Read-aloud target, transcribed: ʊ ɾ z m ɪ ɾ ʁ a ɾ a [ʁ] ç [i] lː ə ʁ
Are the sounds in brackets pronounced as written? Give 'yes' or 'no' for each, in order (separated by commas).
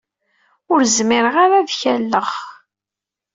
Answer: no, no